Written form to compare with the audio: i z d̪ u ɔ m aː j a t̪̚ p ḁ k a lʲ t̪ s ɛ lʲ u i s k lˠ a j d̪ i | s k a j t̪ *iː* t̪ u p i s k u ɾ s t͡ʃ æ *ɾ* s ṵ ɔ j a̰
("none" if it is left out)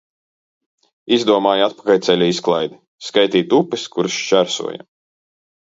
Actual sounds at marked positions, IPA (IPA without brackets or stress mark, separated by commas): iː, ɾ